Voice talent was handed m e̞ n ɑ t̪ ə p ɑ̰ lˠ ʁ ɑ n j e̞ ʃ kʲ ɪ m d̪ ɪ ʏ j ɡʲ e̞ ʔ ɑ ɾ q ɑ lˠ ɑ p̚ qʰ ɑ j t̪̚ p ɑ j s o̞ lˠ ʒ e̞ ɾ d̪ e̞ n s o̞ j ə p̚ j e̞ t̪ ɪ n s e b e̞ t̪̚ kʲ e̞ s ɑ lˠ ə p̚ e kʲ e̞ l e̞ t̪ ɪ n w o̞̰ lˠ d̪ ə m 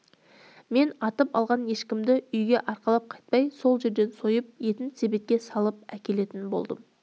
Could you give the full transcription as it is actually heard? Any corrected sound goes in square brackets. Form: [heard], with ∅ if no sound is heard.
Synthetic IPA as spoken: m e̞ n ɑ t̪ ə p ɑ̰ lˠ ʁ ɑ n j e̞ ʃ kʲ ɪ m d̪ ɪ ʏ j ɡʲ e̞ ʔ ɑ ɾ q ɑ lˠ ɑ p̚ qʰ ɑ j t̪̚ p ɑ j s o̞ lˠ ʒ e̞ ɾ d̪ e̞ n s o̞ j ə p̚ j e̞ t̪ ɪ n s e b e̞ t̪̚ kʲ e̞ s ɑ lˠ ə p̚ [æ] kʲ e̞ l e̞ t̪ ɪ n [b] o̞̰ lˠ d̪ ə m